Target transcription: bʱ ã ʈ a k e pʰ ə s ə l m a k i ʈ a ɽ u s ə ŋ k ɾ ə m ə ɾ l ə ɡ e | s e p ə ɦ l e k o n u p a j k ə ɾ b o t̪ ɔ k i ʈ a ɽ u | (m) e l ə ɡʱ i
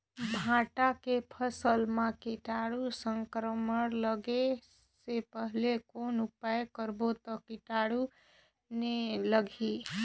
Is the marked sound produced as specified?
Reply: no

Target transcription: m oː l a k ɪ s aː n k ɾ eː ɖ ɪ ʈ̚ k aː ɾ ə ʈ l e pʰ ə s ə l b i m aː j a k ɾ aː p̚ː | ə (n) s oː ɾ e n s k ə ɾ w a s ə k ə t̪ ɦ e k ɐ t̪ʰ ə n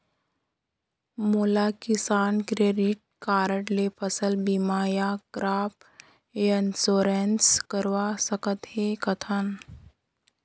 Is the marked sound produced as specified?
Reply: yes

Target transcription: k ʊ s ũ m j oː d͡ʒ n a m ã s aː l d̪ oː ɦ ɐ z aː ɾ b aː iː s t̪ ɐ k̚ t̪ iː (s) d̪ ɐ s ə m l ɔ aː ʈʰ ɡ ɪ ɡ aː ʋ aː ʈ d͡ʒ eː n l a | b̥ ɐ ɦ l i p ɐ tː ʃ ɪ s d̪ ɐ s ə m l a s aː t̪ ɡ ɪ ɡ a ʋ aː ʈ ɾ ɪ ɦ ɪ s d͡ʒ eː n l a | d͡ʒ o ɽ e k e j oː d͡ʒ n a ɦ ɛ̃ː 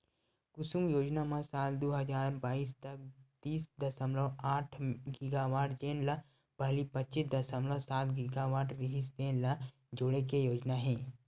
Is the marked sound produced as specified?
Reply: yes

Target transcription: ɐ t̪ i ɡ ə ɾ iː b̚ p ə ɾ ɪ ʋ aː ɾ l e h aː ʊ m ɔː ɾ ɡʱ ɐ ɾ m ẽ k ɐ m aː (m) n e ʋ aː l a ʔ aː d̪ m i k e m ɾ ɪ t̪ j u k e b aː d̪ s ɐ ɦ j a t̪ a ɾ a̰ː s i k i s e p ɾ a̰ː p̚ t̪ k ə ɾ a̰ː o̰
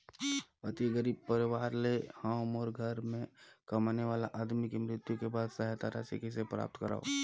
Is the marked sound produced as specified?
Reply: no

